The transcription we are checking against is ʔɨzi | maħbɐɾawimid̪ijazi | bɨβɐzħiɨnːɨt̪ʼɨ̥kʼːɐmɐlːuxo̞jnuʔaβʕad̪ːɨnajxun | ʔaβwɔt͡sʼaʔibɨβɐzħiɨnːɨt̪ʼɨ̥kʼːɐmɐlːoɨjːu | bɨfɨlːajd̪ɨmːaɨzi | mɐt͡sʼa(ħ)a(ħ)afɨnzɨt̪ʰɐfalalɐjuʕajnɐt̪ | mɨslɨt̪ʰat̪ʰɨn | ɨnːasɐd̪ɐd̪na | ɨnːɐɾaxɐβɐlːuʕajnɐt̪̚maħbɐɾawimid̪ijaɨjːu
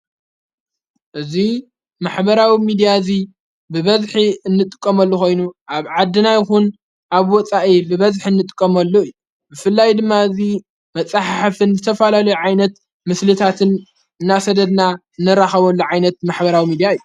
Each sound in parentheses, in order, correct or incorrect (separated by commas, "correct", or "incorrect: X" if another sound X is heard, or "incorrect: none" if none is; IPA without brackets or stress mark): correct, correct